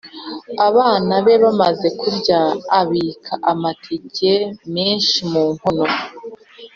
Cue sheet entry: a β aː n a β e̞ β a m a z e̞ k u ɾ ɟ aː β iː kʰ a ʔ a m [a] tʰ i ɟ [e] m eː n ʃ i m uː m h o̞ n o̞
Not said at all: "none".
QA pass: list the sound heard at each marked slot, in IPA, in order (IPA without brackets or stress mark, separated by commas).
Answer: a, e